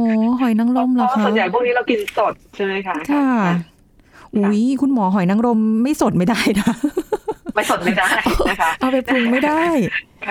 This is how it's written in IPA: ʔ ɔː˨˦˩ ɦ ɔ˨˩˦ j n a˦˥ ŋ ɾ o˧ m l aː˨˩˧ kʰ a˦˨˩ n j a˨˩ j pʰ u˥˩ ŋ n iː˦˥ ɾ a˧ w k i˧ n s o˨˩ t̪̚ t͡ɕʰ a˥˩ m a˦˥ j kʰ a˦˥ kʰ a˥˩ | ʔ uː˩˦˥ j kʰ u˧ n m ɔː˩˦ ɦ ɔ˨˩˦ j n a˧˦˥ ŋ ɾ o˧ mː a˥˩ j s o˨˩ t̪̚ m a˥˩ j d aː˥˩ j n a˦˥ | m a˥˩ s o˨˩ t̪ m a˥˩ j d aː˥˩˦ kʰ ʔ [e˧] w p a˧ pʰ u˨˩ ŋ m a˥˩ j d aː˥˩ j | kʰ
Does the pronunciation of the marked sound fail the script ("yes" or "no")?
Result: yes